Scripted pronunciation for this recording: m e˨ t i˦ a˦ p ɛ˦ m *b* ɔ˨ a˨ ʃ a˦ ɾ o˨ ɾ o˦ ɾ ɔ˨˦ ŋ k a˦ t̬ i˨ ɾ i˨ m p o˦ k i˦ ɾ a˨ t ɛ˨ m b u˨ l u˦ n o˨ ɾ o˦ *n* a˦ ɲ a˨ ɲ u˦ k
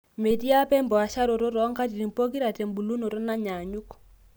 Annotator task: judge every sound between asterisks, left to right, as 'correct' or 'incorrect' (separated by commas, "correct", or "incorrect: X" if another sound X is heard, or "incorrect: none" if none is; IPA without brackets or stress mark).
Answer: correct, correct